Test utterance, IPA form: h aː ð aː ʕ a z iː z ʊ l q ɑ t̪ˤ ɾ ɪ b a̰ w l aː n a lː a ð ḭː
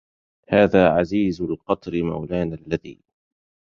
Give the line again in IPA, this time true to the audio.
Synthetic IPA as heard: h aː ð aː ʕ a z iː z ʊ l q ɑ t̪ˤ ɾ ɪ m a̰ w l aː n a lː a ð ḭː